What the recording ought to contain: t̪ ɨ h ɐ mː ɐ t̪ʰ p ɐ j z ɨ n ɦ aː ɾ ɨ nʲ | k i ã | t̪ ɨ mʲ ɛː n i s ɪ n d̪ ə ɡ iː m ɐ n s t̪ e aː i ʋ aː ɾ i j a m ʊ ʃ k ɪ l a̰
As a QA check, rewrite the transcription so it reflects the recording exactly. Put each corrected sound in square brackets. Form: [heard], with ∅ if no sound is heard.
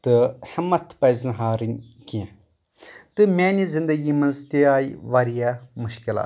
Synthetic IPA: t̪ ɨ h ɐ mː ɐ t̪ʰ p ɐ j z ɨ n ɦ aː ɾ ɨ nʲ | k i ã | t̪ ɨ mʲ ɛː n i [z] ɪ n d̪ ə ɡ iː m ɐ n [z] t̪ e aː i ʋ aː ɾ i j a m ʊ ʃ k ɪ l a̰